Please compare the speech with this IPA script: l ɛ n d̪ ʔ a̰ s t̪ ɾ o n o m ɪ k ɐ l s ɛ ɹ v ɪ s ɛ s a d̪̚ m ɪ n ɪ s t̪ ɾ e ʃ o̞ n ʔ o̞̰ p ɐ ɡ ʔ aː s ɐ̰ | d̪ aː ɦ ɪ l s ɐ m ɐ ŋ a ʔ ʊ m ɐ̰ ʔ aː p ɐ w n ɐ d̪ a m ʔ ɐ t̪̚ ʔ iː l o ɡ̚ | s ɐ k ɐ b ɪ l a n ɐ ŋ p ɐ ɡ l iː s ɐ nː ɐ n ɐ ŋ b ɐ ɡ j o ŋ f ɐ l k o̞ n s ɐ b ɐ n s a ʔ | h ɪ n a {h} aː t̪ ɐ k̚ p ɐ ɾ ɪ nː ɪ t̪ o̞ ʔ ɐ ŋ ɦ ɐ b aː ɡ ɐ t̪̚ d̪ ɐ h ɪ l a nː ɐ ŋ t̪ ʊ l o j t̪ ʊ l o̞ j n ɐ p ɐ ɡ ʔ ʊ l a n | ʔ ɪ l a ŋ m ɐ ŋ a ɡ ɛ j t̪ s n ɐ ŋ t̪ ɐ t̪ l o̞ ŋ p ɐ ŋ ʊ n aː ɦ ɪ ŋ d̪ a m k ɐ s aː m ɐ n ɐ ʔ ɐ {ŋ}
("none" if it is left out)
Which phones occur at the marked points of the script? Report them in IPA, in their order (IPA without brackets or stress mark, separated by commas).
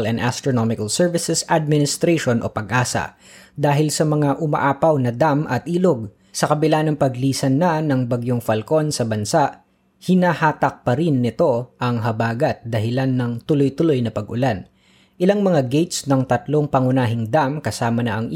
h, ŋ